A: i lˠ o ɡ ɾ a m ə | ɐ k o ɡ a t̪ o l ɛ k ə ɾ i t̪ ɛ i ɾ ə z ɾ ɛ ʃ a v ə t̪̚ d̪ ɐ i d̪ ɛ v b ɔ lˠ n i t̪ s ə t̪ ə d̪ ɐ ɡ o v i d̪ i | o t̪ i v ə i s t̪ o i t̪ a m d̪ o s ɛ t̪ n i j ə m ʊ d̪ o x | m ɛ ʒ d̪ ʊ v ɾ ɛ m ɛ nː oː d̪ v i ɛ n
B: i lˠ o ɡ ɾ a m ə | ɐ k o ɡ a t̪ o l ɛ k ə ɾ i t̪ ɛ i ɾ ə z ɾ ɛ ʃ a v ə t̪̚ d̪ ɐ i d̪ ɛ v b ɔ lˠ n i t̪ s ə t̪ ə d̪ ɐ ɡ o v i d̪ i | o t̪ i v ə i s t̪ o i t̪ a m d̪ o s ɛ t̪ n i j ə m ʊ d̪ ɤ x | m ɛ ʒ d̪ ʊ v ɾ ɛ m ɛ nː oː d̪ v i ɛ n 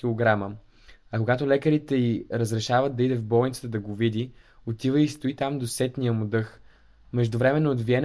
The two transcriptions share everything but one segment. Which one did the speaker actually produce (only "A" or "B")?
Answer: B